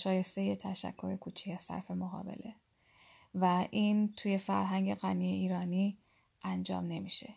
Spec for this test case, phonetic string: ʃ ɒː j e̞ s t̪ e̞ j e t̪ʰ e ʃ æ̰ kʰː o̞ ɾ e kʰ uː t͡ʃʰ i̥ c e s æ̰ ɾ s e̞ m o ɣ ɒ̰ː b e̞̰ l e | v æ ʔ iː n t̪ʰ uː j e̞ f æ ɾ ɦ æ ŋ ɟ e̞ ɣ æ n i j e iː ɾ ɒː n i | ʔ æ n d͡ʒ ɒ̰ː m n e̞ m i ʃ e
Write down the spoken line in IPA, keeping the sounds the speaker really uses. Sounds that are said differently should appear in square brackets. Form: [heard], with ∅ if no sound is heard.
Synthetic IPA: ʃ ɒː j e̞ s t̪ e̞ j e t̪ʰ [æ] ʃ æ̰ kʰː o̞ ɾ e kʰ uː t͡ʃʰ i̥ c [æ] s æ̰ ɾ [f] e̞ m o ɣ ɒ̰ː b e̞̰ l e | v æ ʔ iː n t̪ʰ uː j e̞ f æ ɾ ɦ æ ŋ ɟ e̞ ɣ æ n i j e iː ɾ ɒː n i | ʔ æ n d͡ʒ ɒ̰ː m n e̞ m i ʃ e